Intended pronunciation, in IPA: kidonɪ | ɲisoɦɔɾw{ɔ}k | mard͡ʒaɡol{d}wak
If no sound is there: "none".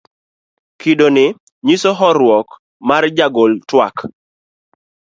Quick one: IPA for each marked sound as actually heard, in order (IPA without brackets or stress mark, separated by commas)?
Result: ɔ, t